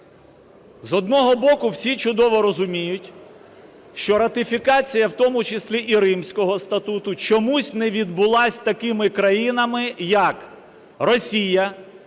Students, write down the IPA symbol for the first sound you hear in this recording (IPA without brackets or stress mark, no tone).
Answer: z